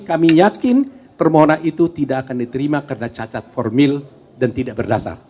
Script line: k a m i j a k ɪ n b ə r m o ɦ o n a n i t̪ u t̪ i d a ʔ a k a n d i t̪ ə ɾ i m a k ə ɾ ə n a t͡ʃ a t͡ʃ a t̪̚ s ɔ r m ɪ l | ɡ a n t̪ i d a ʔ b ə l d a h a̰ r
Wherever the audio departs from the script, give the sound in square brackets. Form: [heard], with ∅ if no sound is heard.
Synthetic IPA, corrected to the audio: k a m i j a k ɪ n [p] ə r m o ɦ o n a n i t̪ u t̪ i d a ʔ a k a n d i t̪ ə ɾ i m a k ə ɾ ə n a t͡ʃ a t͡ʃ a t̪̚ [f] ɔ r m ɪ l | [d] a n t̪ i d a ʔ b ə [r] d a [s] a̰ r